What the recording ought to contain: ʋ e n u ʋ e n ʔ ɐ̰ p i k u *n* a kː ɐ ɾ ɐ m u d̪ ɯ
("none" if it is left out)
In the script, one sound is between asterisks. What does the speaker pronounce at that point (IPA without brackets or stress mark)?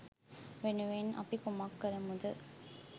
m